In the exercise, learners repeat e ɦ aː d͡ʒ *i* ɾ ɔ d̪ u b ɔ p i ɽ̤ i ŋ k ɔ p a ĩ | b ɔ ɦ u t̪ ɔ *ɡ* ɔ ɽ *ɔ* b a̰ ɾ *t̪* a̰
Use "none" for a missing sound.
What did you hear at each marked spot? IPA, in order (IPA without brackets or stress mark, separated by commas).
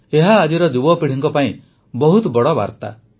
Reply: i, b, ɔ, t̪